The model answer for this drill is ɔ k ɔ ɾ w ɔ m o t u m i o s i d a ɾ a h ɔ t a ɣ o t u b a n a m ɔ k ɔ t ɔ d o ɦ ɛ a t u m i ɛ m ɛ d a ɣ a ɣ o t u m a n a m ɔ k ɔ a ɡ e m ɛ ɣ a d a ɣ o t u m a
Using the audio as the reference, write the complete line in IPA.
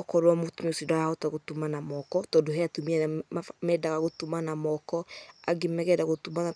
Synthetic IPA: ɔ k ɔ ɾ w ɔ m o t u m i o s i d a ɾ a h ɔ t a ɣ o t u m a n a m ɔ k ɔ t ɔ d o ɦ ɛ a t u m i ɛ m ɛ d a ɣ a ɣ o t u m a n a m ɔ k ɔ a ɡ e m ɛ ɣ ɛ d a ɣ o t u m a

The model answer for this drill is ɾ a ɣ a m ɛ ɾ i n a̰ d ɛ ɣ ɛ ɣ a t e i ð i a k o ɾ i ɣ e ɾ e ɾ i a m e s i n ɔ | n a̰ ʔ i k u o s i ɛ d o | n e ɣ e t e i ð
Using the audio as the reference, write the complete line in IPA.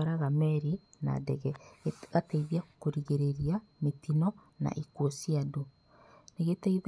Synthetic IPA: ɾ a ɣ a m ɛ ɾ i n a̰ d ɛ ɣ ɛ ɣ a t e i ð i a k o ɾ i ɣ e ɾ e ɾ i a m e t i n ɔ | n a̰ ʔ i k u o s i a d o | n e ɣ e t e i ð

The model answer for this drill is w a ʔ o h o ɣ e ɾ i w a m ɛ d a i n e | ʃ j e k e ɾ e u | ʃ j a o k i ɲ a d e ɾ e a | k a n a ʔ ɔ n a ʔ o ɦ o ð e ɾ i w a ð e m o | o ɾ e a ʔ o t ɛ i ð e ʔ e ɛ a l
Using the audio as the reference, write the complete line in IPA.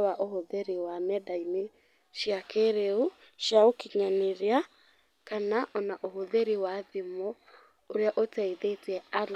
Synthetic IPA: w a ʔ o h o ð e ɾ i w a m ɛ d a i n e | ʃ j a k e ɾ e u | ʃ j a o k i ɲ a n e ɾ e a | k a n a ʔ ɔ n a ʔ o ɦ o ð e ɾ i w a ð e m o | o ɾ e a ʔ o t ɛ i ð e t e ɛ a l

